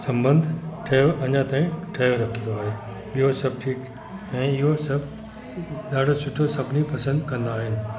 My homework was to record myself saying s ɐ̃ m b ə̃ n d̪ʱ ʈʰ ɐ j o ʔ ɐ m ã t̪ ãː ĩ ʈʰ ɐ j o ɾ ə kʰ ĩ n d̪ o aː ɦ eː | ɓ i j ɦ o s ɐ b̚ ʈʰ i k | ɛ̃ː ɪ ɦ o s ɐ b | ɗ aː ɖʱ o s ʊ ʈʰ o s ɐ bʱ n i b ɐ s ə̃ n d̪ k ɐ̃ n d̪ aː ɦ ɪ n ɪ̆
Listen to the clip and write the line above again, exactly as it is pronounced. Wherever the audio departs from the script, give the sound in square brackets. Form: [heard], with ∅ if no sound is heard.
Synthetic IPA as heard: s ɐ̃ m b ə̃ n d̪ʱ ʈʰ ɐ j o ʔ ɐ [ɲ] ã t̪ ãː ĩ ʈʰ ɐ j o ɾ [ɐ] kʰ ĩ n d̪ o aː ɦ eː | ɓ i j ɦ o s ɐ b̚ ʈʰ [iː] k | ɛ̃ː ɪ ɦ o s ɐ b | ɗ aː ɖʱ o s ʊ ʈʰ o s ɐ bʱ n i [p] ɐ s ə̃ n d̪ k ɐ̃ n d̪ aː ɦ ɪ n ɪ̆